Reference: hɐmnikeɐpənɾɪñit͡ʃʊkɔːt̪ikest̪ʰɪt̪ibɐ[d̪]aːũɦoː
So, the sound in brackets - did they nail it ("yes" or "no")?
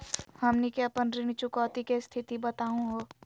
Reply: no